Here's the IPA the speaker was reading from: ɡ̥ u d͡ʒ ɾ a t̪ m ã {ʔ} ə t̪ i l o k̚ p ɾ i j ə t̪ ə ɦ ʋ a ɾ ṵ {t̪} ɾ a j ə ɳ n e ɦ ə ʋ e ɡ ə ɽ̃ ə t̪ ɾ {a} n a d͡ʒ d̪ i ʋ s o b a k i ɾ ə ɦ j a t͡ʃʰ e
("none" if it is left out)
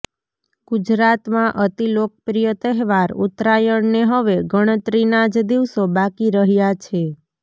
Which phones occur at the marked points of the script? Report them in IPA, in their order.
ʔ, t̪, i

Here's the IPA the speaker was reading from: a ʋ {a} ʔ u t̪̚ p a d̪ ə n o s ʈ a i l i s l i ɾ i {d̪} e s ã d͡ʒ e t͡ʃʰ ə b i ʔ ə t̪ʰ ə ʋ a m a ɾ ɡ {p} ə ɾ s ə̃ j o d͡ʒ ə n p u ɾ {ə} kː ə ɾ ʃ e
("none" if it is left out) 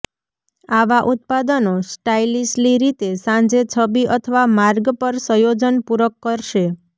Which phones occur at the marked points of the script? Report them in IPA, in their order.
a, t̪, p, ə

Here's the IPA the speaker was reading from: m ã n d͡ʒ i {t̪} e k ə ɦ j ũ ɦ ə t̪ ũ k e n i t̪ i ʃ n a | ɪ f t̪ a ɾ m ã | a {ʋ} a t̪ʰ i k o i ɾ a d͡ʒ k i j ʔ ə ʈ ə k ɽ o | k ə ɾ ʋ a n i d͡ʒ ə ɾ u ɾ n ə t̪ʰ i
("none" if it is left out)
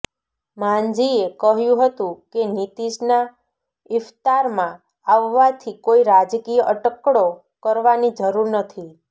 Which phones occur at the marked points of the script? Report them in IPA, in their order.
none, ʋː

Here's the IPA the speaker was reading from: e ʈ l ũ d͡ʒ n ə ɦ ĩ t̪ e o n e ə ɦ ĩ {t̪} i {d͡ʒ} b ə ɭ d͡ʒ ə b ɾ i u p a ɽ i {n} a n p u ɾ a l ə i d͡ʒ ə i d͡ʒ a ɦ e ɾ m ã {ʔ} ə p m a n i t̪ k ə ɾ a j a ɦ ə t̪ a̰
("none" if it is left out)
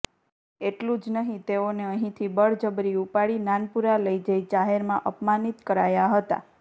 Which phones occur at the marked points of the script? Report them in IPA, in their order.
t̪ʰ, none, n, ʔ

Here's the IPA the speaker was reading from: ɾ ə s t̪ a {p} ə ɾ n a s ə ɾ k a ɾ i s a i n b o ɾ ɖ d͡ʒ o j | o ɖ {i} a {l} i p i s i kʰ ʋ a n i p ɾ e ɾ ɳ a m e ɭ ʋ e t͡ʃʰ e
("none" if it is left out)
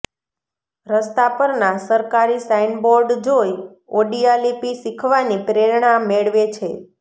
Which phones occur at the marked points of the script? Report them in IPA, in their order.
p, i, l

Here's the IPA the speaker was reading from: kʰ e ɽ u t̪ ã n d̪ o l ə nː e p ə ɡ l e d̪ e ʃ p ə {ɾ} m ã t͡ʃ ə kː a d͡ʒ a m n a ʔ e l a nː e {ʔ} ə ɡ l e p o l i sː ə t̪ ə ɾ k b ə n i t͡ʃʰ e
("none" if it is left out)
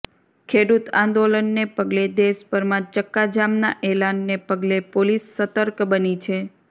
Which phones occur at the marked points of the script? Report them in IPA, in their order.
ɾ, p

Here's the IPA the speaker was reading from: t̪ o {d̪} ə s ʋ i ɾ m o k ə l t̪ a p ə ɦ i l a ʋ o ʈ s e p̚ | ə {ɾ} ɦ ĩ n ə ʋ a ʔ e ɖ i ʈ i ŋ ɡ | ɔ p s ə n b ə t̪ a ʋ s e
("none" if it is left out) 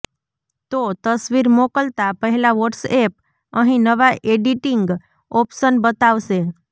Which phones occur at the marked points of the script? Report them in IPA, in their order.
t̪, none

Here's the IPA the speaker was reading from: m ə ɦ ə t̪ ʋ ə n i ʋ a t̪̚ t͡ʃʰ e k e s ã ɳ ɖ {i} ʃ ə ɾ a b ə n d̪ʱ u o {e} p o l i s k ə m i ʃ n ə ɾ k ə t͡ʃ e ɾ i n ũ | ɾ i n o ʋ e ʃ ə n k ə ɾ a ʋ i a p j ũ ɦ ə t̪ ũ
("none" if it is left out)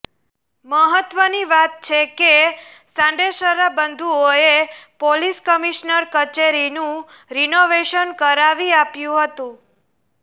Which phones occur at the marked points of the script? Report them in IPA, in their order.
e, e

